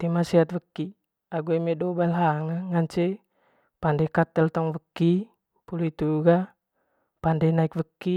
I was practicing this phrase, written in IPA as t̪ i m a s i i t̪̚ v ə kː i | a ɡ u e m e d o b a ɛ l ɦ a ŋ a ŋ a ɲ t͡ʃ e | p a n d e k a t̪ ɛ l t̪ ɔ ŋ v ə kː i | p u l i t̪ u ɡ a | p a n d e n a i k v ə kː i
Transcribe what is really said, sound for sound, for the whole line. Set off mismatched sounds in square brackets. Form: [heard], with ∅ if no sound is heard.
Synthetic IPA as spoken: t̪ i m a s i [a] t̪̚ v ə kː i | a ɡ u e m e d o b a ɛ l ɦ a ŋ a ŋ a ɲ t͡ʃ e | p a n d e k a t̪ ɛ l t̪ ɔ ŋ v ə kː i | p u l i t̪ u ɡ a | p a n d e n a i k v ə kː i